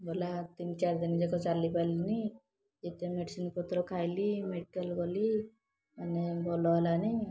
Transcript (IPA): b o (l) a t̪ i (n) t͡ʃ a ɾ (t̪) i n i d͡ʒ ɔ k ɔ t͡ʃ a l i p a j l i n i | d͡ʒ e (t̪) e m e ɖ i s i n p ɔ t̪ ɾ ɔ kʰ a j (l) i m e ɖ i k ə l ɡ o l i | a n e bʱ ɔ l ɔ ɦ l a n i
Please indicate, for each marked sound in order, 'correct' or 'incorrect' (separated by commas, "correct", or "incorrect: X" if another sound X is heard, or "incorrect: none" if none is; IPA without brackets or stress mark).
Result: correct, correct, incorrect: d̪, correct, correct